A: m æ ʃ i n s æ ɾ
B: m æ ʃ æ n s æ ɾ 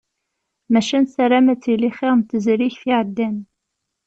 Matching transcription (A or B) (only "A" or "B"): B